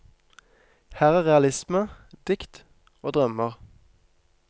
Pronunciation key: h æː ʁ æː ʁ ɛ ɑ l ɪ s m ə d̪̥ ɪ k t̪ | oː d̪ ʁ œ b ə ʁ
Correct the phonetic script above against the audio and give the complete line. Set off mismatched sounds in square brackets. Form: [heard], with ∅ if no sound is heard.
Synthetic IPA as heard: h æː ʁ æː ʁ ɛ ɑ l ɪ s m ə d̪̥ ɪ k t̪ | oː d̪ ʁ œ [m] ə ʁ